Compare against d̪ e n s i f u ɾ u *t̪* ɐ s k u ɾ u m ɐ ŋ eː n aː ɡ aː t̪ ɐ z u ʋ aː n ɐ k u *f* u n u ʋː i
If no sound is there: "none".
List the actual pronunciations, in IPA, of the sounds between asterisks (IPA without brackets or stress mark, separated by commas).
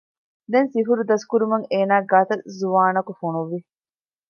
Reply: d̪, f